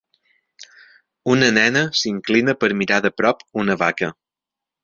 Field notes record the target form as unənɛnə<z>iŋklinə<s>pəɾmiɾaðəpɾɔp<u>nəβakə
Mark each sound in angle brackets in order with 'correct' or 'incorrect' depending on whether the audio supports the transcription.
incorrect: s, incorrect: none, correct

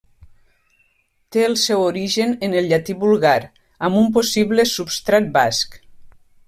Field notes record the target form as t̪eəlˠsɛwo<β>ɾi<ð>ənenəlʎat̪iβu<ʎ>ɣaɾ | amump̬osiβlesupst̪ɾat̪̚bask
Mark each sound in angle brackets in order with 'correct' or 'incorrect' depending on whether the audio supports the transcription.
incorrect: none, incorrect: ʒ, incorrect: l

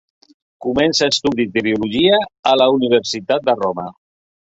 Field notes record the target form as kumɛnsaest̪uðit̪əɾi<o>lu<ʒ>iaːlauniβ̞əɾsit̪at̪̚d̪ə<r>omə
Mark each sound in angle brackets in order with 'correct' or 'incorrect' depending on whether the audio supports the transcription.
incorrect: u, correct, correct

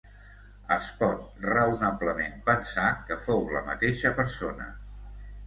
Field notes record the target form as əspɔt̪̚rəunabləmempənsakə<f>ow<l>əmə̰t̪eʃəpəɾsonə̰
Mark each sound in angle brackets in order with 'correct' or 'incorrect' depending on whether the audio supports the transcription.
correct, correct

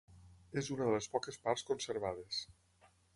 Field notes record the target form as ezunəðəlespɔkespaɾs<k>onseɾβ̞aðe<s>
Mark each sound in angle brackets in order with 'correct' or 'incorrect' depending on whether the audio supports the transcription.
correct, correct

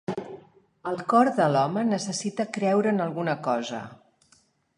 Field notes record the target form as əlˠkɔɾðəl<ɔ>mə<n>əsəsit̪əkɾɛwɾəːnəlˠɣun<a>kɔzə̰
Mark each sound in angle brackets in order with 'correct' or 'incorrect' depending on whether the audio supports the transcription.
correct, correct, incorrect: ə

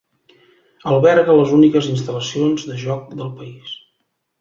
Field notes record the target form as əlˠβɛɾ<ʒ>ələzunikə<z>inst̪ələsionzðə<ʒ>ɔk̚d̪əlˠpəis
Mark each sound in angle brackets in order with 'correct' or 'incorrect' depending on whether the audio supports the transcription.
incorrect: ɣ, correct, correct

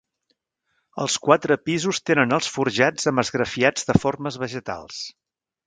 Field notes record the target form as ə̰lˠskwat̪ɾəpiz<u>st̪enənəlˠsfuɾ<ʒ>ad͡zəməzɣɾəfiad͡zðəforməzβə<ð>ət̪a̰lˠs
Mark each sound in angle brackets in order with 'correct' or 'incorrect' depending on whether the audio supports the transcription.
correct, correct, incorrect: ʒ

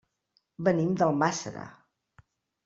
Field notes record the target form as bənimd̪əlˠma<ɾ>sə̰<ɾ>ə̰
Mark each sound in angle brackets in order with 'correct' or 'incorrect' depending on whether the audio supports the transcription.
incorrect: none, correct

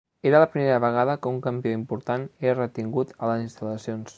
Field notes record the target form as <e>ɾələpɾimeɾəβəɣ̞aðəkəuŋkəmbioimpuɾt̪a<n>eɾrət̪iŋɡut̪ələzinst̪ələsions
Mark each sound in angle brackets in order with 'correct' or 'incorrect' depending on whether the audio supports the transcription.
correct, correct

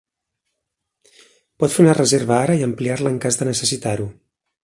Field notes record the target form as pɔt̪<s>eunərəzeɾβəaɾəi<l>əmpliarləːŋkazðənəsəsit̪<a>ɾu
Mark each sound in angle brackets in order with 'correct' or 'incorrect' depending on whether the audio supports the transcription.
incorrect: f, incorrect: none, correct

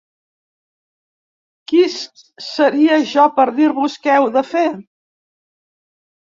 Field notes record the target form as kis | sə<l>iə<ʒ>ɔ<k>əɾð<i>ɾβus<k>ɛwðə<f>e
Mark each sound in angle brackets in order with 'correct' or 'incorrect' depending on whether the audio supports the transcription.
incorrect: ɾ, correct, incorrect: p, correct, correct, correct

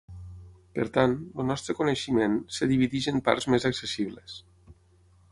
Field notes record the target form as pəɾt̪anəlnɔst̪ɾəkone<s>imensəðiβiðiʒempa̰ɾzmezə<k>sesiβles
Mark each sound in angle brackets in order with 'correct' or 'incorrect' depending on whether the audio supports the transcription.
incorrect: ʃ, correct

